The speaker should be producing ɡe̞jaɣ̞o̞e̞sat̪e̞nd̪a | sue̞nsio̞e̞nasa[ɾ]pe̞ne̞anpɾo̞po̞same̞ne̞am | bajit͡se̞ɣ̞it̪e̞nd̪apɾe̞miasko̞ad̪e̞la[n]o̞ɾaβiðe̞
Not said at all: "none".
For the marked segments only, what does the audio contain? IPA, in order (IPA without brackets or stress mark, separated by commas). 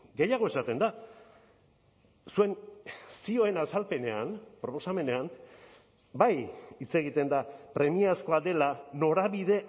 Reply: l, n